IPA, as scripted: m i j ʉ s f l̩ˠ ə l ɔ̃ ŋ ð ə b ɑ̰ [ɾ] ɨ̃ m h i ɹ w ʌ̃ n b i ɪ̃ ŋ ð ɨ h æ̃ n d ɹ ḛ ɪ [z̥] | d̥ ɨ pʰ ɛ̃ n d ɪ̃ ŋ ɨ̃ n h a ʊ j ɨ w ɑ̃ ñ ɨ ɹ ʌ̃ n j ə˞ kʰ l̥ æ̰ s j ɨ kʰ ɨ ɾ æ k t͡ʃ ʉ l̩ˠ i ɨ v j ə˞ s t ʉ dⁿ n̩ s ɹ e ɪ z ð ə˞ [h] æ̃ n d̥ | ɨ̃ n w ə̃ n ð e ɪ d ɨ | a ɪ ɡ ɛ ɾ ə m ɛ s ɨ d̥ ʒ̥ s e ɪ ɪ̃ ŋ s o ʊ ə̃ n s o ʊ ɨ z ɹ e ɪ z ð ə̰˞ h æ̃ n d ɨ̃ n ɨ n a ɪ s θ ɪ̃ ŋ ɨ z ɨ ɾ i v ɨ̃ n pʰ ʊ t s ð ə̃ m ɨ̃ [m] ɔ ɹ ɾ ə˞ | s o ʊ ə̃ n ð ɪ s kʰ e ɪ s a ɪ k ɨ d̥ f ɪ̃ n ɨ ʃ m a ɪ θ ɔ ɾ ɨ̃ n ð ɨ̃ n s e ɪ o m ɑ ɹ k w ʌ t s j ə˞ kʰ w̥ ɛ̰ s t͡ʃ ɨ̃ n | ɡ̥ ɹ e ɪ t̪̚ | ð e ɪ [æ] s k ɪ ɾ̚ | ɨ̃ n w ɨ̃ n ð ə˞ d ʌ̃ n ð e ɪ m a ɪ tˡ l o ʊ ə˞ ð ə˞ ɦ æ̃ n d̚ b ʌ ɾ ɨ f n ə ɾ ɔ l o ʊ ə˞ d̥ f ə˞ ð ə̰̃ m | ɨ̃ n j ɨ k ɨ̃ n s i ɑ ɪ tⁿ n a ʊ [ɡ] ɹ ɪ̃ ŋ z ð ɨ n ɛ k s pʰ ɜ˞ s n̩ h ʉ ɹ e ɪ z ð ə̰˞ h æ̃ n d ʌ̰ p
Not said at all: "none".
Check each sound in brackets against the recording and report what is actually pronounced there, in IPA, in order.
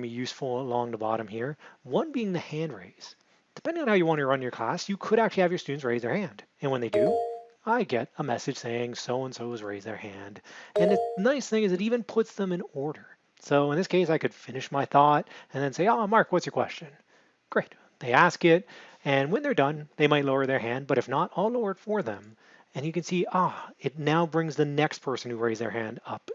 ɾ, z̥, h, n, æ, b

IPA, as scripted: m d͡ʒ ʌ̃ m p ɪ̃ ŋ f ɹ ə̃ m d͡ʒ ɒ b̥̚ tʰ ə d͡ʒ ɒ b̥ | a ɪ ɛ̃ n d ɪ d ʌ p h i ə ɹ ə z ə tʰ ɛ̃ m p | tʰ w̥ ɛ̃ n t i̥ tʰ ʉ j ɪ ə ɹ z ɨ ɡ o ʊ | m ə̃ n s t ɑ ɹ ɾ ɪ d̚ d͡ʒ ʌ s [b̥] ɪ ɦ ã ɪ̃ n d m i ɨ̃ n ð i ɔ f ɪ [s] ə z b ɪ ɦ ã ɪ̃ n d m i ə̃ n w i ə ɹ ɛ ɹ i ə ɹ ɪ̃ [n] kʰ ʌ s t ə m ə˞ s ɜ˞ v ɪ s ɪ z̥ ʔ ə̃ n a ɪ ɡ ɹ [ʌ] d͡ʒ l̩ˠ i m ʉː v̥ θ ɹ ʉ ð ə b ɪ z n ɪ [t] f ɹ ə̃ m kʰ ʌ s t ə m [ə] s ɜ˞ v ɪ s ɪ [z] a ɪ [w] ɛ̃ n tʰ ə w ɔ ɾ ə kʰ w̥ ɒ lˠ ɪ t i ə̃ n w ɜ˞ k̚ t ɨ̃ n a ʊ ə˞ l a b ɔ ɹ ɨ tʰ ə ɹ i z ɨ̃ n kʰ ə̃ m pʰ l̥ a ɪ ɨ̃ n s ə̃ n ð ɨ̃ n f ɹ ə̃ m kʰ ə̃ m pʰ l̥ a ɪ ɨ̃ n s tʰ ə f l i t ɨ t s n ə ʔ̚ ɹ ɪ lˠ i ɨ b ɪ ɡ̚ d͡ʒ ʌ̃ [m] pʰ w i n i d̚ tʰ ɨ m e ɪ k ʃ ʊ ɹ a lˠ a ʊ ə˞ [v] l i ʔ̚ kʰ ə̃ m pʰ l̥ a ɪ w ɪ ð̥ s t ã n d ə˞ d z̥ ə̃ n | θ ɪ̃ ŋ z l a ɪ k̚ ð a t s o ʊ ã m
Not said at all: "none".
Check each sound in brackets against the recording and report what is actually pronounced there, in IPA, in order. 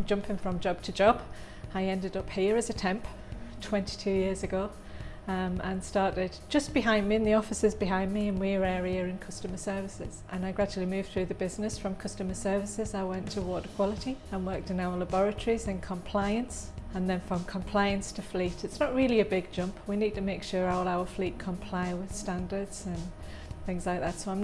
b̥, s, n, a, s, ə, z, w, m, f

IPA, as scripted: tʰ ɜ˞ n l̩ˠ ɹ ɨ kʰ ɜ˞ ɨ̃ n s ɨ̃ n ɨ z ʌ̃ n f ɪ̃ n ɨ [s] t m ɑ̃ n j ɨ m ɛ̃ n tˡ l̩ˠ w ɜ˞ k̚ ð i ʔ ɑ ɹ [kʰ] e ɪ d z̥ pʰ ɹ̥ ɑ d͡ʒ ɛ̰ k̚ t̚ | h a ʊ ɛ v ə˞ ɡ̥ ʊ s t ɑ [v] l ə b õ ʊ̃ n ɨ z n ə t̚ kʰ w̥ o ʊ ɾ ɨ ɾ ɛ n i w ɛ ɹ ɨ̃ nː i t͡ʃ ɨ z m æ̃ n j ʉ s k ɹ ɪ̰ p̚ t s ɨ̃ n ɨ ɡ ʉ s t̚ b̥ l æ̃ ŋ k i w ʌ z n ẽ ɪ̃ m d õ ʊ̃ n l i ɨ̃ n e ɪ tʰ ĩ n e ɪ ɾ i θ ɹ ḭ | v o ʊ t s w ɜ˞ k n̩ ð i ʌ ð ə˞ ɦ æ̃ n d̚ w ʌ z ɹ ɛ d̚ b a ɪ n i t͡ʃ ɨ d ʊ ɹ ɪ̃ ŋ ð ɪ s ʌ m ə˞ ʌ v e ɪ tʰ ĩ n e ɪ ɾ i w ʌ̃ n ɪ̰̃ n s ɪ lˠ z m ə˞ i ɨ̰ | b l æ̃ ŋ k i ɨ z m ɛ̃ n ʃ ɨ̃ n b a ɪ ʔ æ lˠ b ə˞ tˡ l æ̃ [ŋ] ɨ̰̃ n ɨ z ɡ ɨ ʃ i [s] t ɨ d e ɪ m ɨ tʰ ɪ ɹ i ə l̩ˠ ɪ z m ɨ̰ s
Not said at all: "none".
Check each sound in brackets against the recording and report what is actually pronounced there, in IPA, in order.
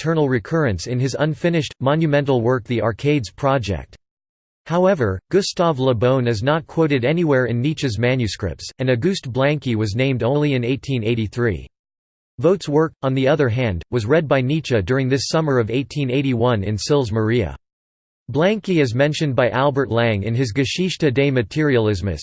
ʃ, kʰ, v, ŋ, ʃ

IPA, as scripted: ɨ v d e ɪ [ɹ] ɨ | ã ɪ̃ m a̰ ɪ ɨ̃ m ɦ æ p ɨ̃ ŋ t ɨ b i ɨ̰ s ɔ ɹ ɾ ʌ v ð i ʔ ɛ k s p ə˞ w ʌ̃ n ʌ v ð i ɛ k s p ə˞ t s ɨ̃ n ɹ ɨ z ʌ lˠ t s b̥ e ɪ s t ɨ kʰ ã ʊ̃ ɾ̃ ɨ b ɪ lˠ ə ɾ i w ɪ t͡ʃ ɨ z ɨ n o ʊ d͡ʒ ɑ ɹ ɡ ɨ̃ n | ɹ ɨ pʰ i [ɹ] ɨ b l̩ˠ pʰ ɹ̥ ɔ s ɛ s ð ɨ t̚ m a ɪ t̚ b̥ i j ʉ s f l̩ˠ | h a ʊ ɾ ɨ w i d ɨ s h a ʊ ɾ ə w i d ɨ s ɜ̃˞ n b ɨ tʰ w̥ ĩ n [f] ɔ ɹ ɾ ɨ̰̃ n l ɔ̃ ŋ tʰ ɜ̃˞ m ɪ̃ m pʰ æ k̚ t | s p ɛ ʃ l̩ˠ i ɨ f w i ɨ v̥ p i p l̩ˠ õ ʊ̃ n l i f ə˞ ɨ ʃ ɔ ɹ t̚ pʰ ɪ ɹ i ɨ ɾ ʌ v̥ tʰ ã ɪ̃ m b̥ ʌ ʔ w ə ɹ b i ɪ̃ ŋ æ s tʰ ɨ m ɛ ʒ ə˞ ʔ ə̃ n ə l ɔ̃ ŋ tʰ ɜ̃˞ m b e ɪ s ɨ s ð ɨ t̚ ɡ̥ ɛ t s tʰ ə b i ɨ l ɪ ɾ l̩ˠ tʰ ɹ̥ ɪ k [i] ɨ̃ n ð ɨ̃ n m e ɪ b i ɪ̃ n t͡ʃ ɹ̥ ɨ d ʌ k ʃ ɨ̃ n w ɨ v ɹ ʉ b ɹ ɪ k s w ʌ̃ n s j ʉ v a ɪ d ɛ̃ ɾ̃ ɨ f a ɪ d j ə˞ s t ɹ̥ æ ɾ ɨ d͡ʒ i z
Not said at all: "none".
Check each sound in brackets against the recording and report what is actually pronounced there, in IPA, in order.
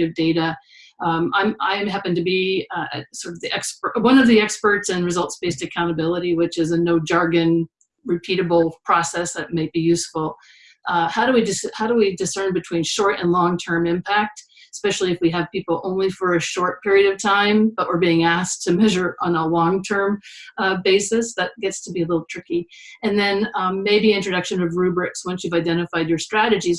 ɾ, ɾ, ʃ, i

